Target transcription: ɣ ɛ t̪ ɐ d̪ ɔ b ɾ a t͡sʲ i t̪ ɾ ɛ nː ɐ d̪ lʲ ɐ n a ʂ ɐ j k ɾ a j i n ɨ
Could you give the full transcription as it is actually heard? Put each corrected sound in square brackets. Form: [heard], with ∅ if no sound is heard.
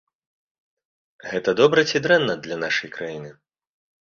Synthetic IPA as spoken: ɣ ɛ t̪ ɐ d̪ ɔ b ɾ [ɐ] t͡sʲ i [d̪] ɾ ɛ nː ɐ d̪ lʲ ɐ n a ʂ ɐ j k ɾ a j i n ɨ